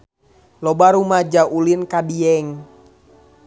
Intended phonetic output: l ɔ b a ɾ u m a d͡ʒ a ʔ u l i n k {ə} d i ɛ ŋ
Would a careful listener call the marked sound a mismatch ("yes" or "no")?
yes